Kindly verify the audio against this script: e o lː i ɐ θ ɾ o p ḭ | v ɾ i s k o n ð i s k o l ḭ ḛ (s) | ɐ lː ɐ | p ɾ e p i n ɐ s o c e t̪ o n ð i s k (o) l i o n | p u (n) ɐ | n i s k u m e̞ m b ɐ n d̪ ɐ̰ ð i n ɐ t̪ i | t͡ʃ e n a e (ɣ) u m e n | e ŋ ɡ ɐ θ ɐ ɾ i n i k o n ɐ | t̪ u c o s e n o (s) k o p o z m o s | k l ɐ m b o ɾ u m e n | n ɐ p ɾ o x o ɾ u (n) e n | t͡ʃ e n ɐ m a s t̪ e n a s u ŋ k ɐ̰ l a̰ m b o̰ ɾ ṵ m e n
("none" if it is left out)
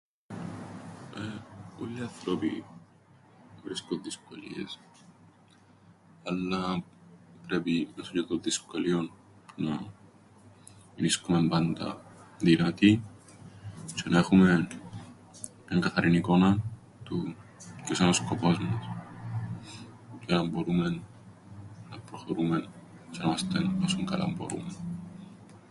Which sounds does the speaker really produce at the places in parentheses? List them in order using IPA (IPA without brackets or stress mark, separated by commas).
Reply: s, o, n, x, s, m